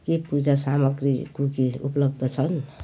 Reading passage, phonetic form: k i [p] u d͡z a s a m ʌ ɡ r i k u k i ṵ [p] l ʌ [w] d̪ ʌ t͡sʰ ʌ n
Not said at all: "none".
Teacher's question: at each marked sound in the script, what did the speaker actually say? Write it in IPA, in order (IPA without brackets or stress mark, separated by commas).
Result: p, p, b